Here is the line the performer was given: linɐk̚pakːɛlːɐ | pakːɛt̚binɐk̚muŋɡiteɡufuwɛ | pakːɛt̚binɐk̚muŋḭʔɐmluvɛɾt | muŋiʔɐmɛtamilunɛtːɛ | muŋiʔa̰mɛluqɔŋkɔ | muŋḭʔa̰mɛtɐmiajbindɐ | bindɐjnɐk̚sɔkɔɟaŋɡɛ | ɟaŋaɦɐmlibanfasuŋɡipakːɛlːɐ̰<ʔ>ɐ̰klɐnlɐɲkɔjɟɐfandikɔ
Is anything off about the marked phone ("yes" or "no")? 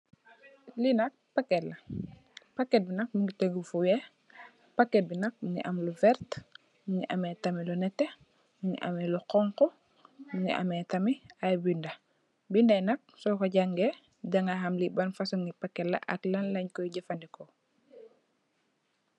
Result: no